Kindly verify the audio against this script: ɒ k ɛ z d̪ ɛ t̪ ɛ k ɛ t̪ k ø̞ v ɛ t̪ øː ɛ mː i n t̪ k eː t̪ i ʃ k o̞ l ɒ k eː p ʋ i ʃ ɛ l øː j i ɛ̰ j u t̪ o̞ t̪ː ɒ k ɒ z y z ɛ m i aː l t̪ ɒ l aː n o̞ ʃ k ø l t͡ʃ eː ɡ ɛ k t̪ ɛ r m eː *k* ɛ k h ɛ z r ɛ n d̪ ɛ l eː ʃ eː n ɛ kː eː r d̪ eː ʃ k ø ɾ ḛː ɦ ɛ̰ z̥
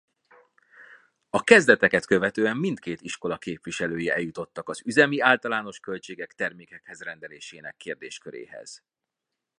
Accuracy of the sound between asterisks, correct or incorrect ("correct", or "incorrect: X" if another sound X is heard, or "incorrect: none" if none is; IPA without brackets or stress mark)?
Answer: correct